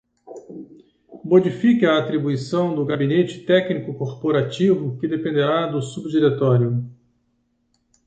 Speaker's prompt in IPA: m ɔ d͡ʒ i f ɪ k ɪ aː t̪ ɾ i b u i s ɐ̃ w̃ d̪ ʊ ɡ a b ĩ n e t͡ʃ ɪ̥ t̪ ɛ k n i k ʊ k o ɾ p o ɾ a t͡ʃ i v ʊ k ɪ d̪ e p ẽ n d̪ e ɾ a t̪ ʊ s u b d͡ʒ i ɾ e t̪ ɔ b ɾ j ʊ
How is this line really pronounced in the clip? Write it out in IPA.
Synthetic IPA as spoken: m o d͡ʒ i f i k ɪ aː t̪ ɾ i b u i s ɐ̃ w̃ d̪ ʊ ɡ a b i n e t͡ʃ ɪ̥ t̪ ɛ k n i k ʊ k o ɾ p o ɾ a t͡ʃ i v ʊ k ɪ d̪ e p ẽ n d̪ e ɾ a d̪ ʊ s u b d͡ʒ i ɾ e t̪ ɔ ɾ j ʊ